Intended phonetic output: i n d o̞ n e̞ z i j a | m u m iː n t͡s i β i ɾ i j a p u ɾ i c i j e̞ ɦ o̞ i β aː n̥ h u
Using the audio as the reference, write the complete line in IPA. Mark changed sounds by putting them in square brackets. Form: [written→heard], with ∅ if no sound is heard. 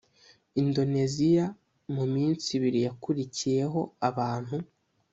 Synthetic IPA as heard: i n d o̞ n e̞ z i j a | m u m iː n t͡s i β i ɾ i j a [p→k] u ɾ i c i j e̞ ɦ o̞ [i→a] β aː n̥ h u